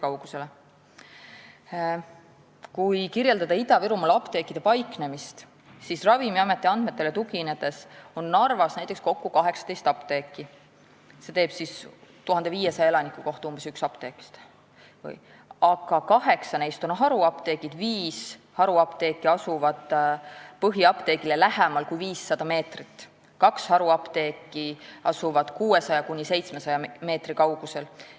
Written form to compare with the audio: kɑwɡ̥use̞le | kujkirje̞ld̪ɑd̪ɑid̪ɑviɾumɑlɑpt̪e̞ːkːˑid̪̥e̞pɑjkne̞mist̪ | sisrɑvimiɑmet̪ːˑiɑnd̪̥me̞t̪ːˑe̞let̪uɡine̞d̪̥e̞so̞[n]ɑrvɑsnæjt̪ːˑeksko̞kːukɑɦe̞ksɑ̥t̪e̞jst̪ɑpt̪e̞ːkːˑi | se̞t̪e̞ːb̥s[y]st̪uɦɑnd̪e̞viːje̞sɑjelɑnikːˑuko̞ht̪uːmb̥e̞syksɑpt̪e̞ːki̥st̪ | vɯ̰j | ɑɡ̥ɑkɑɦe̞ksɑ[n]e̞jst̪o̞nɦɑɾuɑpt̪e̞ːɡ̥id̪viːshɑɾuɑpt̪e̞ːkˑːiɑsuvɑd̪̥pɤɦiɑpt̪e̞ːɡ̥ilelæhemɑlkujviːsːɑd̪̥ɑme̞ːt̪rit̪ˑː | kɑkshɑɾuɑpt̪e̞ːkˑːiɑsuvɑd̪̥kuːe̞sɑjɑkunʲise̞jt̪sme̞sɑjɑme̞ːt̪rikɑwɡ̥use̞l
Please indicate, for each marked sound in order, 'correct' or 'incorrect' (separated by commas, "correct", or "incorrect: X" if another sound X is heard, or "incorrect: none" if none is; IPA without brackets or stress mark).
incorrect: nː, incorrect: i, correct